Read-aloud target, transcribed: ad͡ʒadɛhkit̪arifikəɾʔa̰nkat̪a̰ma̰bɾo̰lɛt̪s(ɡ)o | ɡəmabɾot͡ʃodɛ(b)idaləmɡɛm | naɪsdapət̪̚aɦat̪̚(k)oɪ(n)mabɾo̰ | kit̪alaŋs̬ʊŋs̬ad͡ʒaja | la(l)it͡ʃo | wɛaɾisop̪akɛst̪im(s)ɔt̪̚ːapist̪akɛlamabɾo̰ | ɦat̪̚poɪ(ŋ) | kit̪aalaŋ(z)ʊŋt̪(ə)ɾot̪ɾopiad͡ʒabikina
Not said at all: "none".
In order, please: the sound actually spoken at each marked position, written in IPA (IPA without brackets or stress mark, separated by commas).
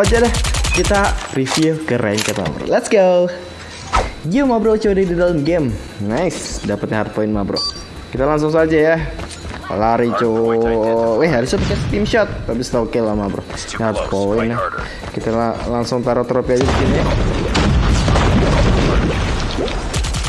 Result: ɡ, d, p, n, ɾ, ʃ, n, s, a